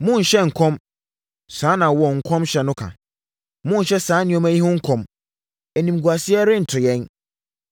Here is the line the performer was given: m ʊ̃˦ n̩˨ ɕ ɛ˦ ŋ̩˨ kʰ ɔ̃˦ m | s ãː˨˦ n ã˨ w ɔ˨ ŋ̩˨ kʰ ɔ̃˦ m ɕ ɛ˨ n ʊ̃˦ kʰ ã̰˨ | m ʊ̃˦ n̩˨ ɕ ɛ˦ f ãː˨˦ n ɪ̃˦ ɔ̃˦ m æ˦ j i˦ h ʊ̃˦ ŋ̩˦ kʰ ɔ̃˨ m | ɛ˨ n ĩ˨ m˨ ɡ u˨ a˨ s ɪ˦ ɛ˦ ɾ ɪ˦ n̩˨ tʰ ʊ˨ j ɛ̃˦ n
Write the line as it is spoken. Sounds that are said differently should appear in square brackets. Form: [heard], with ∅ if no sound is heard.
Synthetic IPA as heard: m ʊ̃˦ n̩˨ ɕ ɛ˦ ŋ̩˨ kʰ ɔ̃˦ m | s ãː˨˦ n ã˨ w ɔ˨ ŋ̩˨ kʰ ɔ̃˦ m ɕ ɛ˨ n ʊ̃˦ kʰ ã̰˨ | m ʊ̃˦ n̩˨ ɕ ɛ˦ [s] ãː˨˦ n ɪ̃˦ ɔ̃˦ m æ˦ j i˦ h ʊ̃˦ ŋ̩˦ kʰ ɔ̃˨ m | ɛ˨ n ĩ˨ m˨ ɡ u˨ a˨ s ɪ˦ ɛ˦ ɾ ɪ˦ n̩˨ tʰ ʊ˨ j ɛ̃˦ n